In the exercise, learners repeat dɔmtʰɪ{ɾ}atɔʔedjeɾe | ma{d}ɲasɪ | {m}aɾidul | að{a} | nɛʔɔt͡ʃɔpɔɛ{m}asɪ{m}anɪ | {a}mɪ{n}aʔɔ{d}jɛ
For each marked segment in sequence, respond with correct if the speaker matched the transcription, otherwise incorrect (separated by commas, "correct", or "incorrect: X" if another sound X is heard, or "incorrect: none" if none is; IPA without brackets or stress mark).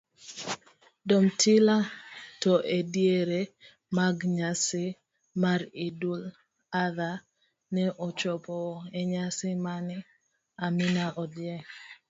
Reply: incorrect: l, incorrect: ɡ, correct, correct, incorrect: ɲ, correct, correct, correct, correct